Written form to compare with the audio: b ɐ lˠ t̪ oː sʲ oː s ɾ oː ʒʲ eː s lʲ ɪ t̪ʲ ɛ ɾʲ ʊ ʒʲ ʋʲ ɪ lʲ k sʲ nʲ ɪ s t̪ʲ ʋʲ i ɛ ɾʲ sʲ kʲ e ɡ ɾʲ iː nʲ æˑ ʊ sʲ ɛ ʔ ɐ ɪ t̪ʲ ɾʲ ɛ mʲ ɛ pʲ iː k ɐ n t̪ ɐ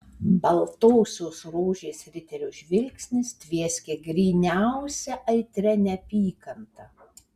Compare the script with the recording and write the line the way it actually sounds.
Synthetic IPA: b ɐ lˠ t̪ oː sʲ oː s ɾ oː ʒʲ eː s ɾʲ ɪ t̪ʲ ɛ ɾʲ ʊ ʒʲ ʋʲ ɪ lʲ k sʲ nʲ ɪ s t̪ʲ ʋʲ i ɛ sʲ kʲ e ɡ ɾʲ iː nʲ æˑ ʊ sʲ ɛ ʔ ɐ ɪ t̪ʲ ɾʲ ɛ nʲ ɛ pʲ iː k ɐ n t̪ ɐ